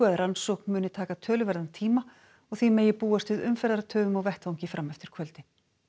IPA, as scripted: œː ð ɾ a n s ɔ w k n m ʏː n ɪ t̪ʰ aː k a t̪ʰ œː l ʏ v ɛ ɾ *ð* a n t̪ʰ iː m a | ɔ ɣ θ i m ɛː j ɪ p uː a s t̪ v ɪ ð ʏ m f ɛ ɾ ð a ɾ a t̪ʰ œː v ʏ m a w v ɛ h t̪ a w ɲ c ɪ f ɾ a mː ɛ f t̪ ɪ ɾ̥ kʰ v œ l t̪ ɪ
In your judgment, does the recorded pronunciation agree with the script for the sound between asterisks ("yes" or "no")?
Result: yes